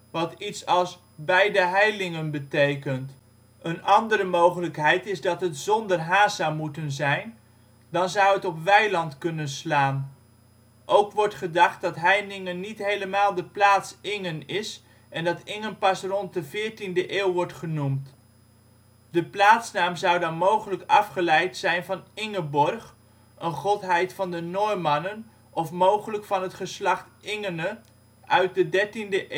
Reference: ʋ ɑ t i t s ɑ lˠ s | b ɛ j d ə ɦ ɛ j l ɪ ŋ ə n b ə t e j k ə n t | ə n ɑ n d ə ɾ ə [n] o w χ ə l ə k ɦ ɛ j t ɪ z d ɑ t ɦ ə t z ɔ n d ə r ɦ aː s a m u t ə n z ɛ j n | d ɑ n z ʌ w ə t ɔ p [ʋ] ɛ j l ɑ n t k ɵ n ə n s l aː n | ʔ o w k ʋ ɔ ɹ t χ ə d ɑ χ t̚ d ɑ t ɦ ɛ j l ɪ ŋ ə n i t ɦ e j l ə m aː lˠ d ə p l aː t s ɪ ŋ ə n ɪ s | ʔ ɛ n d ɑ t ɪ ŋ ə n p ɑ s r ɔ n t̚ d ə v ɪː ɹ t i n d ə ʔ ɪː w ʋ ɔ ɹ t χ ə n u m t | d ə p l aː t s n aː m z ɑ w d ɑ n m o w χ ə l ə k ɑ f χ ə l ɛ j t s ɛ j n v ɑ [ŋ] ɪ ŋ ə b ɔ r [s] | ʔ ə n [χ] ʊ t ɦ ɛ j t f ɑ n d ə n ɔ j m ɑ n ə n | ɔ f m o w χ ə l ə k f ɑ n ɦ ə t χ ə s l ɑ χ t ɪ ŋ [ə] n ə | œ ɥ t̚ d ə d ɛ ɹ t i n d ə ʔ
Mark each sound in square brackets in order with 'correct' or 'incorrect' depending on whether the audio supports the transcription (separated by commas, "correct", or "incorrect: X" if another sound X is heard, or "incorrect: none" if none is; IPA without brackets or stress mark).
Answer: incorrect: m, correct, incorrect: n, incorrect: χ, correct, correct